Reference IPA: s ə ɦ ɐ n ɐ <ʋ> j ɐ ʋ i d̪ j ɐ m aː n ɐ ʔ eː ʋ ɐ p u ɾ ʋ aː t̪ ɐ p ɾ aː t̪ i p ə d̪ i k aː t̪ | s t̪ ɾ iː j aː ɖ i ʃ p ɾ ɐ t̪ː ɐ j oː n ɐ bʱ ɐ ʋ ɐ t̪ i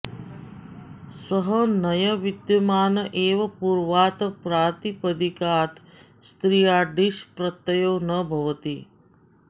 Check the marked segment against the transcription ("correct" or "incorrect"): incorrect